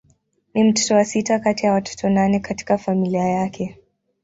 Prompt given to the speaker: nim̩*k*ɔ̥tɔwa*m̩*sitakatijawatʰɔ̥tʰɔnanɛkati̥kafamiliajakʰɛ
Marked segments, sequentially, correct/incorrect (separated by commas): incorrect, incorrect